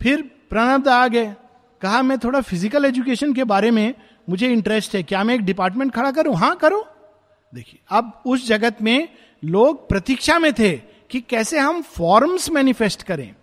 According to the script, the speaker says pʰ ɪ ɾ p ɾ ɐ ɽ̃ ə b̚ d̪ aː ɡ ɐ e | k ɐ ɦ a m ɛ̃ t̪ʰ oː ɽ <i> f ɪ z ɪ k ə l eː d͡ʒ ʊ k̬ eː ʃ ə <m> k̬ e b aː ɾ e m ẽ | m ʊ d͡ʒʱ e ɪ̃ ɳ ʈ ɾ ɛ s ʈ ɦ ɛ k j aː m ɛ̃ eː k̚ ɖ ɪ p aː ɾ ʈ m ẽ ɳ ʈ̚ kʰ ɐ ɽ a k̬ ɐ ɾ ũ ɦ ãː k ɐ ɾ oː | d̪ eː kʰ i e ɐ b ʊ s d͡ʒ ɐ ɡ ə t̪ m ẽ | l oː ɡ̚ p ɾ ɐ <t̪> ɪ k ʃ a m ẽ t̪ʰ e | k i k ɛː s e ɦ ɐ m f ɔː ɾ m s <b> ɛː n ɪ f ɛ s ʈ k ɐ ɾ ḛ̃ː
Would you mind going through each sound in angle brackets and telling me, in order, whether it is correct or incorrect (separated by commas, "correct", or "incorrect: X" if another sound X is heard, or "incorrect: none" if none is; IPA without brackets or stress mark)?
incorrect: a, incorrect: n, correct, incorrect: m